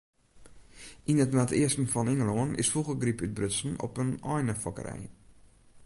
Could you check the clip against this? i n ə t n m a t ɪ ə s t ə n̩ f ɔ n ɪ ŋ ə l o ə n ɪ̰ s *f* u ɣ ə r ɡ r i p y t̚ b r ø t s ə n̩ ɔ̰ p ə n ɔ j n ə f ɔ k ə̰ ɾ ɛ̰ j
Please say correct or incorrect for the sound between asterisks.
correct